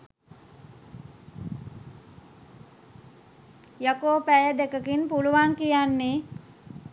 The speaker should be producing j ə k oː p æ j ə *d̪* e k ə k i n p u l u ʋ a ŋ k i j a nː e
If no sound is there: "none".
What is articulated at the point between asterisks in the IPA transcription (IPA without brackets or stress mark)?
d̪